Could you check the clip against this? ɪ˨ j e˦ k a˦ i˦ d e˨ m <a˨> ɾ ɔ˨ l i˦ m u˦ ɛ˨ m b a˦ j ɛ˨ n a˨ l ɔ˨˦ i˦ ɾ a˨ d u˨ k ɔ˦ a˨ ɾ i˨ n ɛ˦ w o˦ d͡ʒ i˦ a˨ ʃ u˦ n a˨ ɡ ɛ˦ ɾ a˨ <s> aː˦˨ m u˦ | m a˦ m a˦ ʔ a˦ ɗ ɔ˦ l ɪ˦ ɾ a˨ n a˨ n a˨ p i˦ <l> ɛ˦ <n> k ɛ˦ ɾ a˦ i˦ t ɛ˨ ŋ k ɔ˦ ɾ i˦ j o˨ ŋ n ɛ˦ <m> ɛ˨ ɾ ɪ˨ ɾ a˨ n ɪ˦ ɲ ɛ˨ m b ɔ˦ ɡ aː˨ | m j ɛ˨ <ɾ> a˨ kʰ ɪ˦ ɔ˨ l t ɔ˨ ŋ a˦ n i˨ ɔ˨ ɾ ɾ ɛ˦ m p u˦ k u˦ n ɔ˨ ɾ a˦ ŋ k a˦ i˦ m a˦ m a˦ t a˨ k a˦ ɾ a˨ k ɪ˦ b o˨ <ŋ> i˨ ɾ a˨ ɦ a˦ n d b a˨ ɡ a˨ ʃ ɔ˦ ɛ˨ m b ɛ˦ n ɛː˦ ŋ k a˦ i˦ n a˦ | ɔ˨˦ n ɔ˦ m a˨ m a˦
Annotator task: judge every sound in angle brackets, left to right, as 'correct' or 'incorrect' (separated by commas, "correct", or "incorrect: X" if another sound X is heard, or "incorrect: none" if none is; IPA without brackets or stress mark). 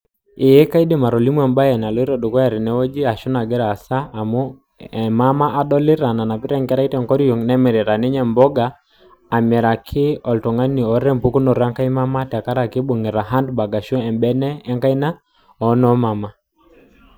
correct, correct, incorrect: ɾ, incorrect: ŋ, correct, correct, correct